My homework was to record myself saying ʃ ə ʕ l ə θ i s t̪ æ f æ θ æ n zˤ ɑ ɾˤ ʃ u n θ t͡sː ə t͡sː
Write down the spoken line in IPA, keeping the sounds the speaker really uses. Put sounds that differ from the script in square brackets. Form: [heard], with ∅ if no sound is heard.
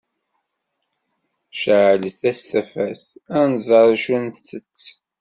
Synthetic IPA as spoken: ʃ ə ʕ l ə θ [æ] s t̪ æ f æ θ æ n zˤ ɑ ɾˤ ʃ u n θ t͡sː ə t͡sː